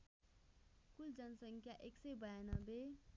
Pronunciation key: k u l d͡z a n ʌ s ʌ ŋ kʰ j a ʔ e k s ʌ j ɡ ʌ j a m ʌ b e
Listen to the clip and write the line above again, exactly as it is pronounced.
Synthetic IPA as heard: k u l d͡z ʌ n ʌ s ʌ ŋ kʰ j a ʔ e k s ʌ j b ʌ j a n ʌ b e

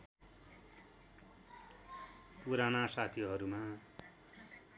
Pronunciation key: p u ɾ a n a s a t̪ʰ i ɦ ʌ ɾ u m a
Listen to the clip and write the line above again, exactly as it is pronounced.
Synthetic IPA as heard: p u ɾ a n a s a t̪ʰ i ɦ ʌ ɾ u m a

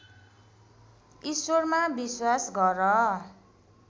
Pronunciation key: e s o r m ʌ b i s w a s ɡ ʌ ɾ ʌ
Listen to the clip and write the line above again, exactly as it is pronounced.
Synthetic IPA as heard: i s o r m a b i s w a s ɡ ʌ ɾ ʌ

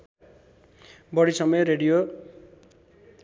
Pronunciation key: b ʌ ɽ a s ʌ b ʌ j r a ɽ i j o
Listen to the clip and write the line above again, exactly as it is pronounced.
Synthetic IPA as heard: b ʌ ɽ i s ʌ m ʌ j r e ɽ i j o

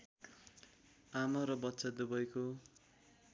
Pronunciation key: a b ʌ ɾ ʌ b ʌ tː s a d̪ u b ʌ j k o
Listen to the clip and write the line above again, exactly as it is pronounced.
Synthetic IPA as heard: a m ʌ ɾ ʌ b ʌ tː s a d̪ u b ʌ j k o

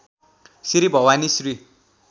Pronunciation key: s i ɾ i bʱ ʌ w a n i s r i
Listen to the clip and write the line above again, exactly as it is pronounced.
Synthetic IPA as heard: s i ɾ i bʱ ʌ w a n i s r i

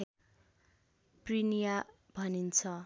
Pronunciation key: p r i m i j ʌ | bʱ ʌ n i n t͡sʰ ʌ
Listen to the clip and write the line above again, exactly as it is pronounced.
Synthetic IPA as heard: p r i n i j a | bʱ ʌ n i n t͡sʰ ʌ

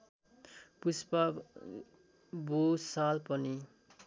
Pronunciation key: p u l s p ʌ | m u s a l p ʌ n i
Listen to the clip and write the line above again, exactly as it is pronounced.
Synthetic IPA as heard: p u s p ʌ | b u s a l p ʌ n i

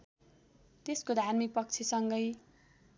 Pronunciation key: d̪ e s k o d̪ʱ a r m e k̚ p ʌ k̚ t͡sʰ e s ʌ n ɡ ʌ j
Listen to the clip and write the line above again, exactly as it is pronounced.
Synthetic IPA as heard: t̪ e s k o d̪ʱ a r m i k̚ p ʌ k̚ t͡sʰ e s ʌ ŋ ɡ ʌ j

